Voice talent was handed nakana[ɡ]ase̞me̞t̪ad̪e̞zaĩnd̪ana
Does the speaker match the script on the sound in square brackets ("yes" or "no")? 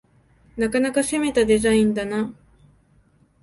no